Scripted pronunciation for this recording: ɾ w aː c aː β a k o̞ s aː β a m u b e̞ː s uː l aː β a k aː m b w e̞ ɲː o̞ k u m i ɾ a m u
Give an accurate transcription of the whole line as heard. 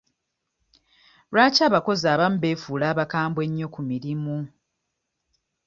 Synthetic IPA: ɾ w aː c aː β a k o̞ z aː β a m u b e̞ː f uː l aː β a k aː m b w e̞ ɲː o̞ k u m i ɾ i m u